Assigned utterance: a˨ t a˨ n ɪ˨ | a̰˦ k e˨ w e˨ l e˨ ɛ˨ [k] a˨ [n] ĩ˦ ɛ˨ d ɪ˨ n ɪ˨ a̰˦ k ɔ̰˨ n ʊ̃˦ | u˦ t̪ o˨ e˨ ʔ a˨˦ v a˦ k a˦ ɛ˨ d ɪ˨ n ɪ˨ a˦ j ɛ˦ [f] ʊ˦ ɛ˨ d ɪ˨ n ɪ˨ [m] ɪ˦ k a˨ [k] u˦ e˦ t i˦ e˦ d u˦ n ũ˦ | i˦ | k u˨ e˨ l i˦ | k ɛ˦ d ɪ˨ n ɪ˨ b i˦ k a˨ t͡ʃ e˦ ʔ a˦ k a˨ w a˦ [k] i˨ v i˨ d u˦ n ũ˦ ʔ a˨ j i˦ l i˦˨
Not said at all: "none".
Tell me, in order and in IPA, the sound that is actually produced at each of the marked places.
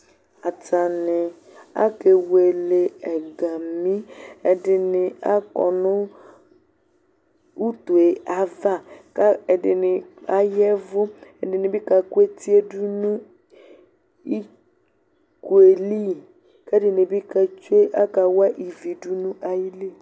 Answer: ɡ, m, v, b, k, ʔ

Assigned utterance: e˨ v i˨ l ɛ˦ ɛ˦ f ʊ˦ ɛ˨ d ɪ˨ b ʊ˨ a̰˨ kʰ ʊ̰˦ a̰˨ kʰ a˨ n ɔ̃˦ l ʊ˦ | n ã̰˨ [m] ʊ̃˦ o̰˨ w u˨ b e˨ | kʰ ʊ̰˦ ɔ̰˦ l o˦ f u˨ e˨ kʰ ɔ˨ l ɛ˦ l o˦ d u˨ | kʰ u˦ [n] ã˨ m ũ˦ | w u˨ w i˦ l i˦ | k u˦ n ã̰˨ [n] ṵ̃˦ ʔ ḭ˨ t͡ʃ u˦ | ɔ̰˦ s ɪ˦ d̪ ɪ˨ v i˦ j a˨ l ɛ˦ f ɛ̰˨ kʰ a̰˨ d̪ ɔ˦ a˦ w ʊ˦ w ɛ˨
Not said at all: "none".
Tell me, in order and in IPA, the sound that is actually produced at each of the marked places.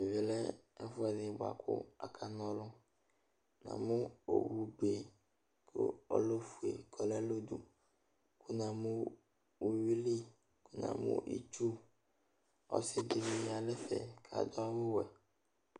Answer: m, n, m

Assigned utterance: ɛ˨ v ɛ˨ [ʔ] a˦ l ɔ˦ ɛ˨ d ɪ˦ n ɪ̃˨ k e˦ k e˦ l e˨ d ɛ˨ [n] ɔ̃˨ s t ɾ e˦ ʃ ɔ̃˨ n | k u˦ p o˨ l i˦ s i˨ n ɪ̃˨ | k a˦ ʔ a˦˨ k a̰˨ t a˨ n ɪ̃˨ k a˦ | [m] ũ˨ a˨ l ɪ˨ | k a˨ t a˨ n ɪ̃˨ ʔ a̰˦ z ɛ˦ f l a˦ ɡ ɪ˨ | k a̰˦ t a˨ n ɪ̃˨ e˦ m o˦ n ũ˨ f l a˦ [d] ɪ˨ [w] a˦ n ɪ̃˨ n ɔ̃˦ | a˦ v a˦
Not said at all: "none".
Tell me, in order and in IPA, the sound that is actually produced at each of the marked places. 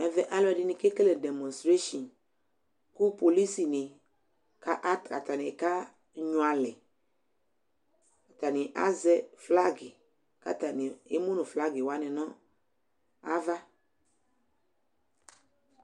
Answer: ʔ, m, ɲ, ɡ, w

